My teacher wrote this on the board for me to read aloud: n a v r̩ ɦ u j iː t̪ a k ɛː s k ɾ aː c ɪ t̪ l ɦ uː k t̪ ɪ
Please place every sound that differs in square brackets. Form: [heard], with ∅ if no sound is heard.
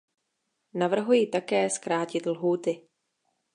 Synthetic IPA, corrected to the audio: n a v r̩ ɦ u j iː t̪ a k ɛː s k ɾ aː c ɪ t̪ l ɦ uː [∅] t̪ ɪ